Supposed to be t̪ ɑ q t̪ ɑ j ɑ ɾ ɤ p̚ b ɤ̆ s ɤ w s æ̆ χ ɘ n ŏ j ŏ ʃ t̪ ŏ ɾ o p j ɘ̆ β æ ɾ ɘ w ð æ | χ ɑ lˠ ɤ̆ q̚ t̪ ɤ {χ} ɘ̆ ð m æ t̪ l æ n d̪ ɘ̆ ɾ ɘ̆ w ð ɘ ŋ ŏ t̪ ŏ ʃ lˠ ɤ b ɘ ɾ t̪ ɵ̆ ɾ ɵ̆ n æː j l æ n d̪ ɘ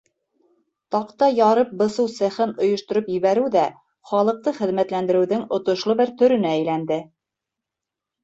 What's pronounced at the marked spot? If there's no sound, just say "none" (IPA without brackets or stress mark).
χ